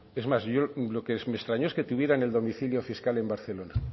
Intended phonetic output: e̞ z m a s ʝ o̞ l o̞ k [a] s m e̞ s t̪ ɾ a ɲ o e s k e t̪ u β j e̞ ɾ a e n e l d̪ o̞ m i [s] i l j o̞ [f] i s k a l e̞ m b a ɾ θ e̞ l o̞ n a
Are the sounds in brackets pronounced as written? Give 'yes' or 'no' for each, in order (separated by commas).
no, no, yes